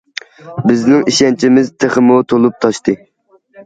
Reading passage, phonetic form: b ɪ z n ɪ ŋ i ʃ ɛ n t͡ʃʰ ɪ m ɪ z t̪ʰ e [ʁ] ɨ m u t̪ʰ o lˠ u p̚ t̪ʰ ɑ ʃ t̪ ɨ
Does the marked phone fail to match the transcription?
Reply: yes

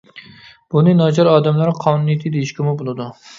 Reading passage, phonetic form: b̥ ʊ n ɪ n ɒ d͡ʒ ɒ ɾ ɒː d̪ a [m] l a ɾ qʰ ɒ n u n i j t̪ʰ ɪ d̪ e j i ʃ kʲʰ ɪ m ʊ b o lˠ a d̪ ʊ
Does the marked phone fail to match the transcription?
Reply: no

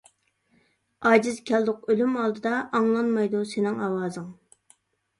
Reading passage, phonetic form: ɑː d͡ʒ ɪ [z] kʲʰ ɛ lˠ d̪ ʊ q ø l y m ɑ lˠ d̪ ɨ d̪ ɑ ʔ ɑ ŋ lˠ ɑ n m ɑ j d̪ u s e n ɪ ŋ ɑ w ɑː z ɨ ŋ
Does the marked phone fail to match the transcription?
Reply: no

